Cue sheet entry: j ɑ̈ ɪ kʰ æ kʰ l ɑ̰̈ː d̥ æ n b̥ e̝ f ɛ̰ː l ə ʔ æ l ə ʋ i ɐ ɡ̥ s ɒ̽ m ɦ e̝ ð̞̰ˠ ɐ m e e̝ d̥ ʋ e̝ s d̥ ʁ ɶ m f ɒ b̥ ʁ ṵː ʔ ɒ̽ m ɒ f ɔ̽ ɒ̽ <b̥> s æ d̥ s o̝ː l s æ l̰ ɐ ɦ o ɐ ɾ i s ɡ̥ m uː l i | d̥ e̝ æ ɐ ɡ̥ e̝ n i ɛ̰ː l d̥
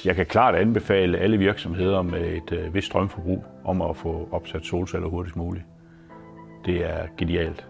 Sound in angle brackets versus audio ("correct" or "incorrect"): correct